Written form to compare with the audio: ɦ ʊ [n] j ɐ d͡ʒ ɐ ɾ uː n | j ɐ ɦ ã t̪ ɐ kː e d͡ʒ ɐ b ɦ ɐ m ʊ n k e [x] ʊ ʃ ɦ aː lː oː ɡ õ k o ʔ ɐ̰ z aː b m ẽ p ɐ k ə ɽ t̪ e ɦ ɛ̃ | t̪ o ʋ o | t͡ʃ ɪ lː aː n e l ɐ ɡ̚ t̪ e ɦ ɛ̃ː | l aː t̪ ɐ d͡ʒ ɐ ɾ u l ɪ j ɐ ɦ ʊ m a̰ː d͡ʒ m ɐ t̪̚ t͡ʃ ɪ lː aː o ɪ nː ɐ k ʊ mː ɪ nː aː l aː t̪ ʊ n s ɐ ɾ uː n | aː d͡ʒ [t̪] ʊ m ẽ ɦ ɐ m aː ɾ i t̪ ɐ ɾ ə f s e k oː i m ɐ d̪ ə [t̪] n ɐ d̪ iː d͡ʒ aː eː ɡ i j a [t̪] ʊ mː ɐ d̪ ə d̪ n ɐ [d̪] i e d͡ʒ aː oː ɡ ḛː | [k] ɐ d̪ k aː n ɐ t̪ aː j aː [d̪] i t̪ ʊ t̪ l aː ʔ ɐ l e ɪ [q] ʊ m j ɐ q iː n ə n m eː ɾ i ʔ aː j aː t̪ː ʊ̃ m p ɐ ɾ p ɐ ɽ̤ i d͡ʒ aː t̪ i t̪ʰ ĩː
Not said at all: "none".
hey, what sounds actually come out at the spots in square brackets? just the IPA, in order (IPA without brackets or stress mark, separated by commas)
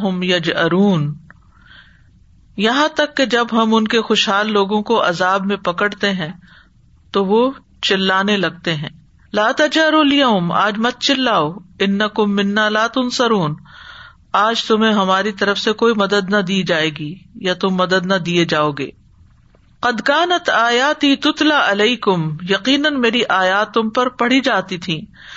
m, x, t̪, d̪, t̪, d̪, q, t̪, k